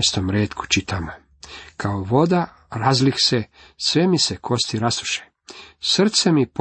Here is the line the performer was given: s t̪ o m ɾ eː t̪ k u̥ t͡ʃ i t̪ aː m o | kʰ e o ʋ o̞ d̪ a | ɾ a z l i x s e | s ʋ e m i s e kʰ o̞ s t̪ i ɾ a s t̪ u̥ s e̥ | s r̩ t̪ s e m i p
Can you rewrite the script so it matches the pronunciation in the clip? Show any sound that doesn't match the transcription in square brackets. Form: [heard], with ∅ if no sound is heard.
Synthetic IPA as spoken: s t̪ o m ɾ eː t̪ k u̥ t͡ʃ i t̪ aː m o | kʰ [a] o ʋ o̞ d̪ a | ɾ a z l i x s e | s ʋ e m i s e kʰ o̞ s t̪ i ɾ a s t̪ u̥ [ʃ] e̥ | s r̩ t̪ s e m i p